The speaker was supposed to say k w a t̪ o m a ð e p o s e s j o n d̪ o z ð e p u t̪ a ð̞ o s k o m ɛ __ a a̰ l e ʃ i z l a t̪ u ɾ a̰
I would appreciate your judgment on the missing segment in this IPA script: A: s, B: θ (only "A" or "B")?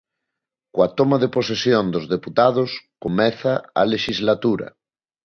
B